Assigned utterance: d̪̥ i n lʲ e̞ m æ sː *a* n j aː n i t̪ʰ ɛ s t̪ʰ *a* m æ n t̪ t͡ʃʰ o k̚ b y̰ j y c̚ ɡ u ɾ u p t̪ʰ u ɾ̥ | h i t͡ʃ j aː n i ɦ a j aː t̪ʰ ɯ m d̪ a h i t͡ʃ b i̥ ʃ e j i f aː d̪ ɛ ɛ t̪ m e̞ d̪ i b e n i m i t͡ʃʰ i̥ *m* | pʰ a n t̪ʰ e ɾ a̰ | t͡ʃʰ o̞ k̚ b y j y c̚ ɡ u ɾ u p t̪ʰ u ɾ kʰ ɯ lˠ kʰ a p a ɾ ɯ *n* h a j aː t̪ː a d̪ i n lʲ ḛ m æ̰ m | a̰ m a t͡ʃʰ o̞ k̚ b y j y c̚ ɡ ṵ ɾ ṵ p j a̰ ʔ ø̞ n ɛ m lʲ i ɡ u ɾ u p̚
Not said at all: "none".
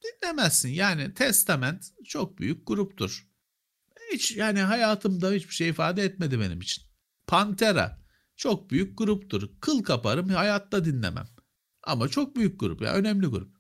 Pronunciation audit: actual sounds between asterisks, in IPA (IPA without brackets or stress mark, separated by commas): i, a, n, m